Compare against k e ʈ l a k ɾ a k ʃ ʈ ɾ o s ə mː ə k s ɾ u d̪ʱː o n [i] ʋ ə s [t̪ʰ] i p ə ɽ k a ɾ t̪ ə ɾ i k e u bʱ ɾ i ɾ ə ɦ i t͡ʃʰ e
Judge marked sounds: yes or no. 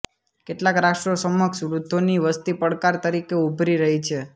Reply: yes, no

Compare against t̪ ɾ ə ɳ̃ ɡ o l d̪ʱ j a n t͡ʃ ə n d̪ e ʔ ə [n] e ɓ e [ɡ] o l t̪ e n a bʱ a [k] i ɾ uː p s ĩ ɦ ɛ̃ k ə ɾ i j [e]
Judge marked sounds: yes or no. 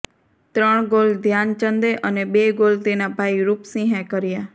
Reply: yes, yes, no, no

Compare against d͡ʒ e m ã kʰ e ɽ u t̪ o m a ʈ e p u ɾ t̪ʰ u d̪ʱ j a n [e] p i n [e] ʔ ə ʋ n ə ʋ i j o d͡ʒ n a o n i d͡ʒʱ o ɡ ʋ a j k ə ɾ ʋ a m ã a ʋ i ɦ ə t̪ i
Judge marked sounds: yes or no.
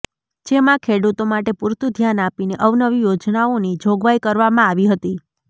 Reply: no, yes

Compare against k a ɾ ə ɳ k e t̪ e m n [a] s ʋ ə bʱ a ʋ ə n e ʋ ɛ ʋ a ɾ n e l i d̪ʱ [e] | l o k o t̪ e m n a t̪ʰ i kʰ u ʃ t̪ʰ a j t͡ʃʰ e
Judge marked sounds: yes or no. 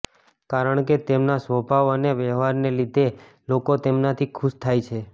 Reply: yes, yes

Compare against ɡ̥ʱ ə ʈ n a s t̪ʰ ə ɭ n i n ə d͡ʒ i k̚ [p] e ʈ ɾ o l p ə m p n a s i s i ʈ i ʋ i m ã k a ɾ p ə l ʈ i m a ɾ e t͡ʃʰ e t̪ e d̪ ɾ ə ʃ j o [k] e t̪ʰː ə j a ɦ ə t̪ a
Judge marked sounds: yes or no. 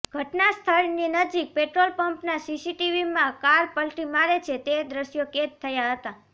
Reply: yes, yes

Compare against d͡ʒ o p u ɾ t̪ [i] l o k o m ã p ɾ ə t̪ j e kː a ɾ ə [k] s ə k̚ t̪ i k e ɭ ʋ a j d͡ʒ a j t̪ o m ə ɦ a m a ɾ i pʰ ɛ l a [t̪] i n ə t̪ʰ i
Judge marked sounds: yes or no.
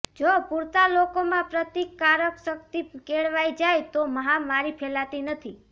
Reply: no, yes, yes

